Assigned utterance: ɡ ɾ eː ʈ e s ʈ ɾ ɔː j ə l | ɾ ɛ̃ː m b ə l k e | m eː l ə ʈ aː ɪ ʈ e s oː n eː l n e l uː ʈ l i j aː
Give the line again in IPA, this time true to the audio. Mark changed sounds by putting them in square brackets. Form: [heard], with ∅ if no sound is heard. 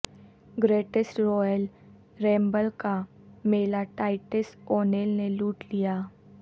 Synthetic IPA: ɡ ɾ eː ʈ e s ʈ ɾ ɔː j ə l | ɾ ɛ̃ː m b ə l k [a] | m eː l [a] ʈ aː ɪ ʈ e s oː n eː l n e l uː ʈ l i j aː